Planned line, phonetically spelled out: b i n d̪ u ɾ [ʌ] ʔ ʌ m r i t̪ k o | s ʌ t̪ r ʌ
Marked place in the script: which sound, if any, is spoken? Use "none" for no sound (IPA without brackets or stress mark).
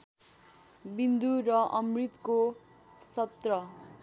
ʌ